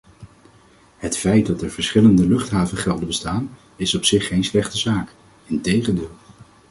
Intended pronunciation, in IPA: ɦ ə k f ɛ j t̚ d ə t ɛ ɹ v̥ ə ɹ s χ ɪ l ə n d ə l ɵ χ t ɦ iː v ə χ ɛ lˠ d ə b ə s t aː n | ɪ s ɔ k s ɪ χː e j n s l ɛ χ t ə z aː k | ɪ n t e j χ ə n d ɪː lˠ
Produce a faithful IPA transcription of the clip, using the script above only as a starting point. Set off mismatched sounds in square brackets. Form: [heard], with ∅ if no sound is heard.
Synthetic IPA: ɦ ə [t] f ɛ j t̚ d [ɑ] t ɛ ɹ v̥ ə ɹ s χ ɪ l ə n d ə l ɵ χ t ɦ [aː] v ə χ ɛ lˠ d ə b ə s t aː n | ɪ s ɔ [p] s ɪ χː e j n s l ɛ χ t ə z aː k | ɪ n t e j χ ə n d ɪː lˠ